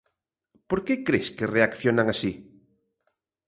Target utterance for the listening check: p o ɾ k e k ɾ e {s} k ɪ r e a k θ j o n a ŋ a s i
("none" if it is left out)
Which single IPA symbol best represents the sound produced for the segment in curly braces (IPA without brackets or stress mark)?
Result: s